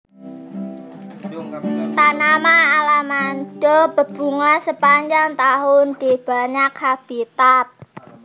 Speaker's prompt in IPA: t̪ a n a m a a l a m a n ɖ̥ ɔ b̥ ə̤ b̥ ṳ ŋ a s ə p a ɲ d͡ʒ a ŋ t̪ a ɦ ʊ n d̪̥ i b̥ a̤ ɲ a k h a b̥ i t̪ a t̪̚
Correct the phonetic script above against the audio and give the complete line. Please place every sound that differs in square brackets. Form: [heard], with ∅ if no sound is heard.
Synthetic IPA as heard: t̪ a n a m a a l a m a n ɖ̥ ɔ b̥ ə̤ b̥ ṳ ŋ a s ə p a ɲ d͡ʒ a ŋ t̪ a ɦ ʊ n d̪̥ i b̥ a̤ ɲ a k h a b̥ i t̪ a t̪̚